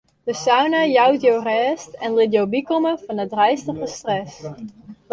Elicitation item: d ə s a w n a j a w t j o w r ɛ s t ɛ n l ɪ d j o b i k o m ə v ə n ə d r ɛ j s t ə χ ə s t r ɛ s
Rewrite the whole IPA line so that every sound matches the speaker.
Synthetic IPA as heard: d ə s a w n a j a w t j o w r ɛ s t ɛ n l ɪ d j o b i k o m ə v ɑ n ə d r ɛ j s t ə χ ə s t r ɛ s